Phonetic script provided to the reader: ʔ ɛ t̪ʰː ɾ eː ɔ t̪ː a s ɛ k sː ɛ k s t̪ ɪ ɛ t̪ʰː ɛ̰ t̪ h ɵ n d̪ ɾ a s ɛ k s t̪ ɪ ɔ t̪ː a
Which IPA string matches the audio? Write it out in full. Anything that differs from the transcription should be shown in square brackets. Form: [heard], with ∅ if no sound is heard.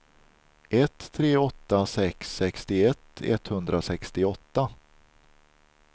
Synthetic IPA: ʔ ɛ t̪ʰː ɾ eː ɔ t̪ː a s ɛ k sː ɛ k s t̪ ɪ ɛ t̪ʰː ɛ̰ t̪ h ɵ n d̪ ɾ a s ɛ k s t̪ ɪ ɔ t̪ː a